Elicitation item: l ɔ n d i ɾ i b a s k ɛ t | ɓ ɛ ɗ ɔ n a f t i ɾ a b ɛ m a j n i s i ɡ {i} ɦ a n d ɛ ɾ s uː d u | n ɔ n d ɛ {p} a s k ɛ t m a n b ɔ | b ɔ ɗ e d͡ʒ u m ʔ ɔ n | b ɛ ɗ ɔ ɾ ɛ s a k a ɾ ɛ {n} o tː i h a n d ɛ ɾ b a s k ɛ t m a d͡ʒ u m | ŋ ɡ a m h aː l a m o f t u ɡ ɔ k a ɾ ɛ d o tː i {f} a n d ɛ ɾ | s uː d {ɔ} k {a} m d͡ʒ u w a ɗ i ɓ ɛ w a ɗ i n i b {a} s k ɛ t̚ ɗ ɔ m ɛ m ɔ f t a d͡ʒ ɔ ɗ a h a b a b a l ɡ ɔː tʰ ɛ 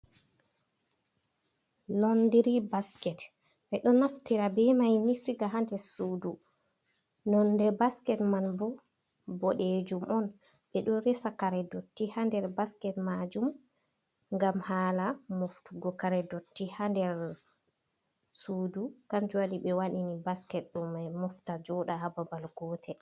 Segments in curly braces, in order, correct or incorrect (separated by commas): incorrect, incorrect, incorrect, incorrect, incorrect, correct, correct